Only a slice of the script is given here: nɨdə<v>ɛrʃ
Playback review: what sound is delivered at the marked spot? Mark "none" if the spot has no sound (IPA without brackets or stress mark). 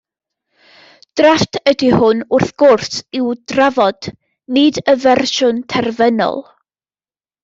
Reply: v